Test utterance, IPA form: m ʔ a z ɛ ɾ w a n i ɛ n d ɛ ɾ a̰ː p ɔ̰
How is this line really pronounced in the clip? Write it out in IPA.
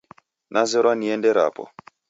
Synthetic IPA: n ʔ a z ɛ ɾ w a n i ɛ n d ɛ ɾ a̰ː p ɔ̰

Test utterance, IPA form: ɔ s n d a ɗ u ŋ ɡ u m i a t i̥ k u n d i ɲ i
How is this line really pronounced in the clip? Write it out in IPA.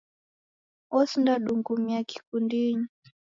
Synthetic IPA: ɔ s n d a ɗ u ŋ ɡ u m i a k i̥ k u n d i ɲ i

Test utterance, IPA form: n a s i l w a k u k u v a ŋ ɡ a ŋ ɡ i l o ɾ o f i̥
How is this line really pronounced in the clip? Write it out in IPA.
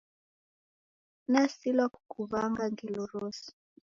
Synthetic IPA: n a s i l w a k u k u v a ŋ ɡ a ŋ ɡ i l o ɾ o s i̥

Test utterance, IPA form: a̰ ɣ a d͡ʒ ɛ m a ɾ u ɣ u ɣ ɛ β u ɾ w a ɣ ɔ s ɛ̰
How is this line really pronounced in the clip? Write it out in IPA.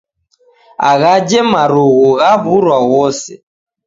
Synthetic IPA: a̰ ɣ a d͡ʒ ɛ m a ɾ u ɣ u ɣ a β u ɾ w a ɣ ɔ s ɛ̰

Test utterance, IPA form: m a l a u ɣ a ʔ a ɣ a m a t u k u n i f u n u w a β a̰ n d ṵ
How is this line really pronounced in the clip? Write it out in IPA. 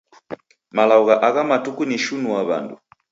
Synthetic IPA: m a l a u ɣ a ʔ a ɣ a m a t u k u n i ʃ u n u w a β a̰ n d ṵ

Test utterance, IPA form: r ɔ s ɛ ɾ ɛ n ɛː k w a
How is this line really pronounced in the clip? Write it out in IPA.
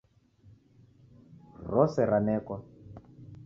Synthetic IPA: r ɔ s ɛ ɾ a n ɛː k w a

